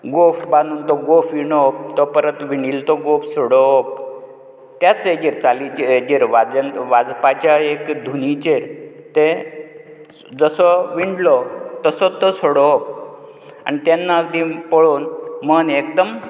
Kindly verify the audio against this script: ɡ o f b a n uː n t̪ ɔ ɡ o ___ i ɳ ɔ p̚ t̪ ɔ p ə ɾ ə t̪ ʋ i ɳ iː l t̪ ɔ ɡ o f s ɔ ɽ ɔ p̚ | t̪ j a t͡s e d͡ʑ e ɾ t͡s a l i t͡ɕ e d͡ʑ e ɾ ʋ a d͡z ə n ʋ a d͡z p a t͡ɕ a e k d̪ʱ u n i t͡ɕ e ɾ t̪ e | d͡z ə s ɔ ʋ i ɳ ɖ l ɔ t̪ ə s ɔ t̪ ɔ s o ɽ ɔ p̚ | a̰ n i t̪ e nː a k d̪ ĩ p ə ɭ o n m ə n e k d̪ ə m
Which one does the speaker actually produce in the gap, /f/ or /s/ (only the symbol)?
f